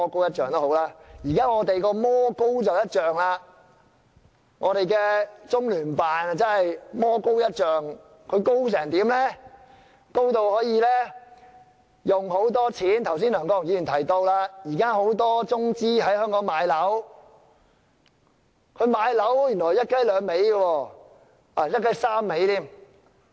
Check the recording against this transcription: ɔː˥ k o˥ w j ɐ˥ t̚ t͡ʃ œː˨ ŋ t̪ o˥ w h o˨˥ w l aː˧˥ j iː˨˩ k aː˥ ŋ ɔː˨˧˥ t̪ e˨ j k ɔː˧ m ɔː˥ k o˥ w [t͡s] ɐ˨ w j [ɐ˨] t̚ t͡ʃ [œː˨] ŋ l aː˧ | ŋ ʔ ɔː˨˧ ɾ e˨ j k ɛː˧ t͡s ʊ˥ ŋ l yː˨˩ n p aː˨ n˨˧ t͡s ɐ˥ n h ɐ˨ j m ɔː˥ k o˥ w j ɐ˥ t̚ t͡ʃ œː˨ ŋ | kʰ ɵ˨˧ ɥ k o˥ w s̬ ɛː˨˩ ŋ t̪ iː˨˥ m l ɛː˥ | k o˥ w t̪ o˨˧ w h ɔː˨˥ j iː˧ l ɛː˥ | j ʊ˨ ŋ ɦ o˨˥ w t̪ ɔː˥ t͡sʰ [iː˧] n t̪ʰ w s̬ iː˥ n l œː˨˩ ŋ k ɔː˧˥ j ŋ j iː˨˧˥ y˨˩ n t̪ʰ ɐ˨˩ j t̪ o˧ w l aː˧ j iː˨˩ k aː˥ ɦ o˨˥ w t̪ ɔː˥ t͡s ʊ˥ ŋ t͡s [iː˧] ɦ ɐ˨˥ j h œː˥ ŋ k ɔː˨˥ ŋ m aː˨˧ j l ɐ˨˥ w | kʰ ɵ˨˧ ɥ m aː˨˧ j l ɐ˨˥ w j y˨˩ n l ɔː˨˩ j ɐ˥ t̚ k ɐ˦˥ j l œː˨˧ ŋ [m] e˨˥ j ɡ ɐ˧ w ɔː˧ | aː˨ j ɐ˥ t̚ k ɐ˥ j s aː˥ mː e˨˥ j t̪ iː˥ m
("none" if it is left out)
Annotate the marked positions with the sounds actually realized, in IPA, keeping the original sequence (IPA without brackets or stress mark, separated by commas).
t͡s, ɐ˥, œː˨, iː˨˥, iː˥, m